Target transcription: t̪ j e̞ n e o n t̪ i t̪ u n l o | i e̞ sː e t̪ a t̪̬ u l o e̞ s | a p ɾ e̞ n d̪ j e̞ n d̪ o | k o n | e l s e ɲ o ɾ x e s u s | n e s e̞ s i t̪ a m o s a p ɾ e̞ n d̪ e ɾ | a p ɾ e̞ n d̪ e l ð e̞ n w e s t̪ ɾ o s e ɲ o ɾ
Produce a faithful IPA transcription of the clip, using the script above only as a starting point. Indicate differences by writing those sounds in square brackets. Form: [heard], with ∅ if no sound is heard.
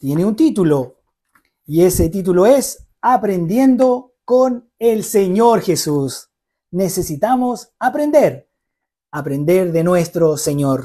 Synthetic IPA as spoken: t̪ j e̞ n e [u] n t̪ i t̪ u [∅] l o | i e̞ [s] e t̪ [i] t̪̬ u l o e̞ s | a p ɾ e̞ n d̪ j e̞ n d̪ o | k o n | e l s e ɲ o ɾ x e s u s | n e s e̞ s i t̪ a m o s a p ɾ e̞ n d̪ e ɾ | a p ɾ e̞ n d̪ e [ɾ] ð e̞ n w e s t̪ ɾ o s e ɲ o ɾ